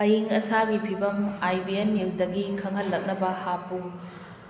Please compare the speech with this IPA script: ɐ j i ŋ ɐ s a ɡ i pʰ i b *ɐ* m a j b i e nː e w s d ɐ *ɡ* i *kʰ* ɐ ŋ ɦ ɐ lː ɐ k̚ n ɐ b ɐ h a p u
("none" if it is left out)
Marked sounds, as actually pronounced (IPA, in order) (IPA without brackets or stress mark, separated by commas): ɐ, ɡ, kʰ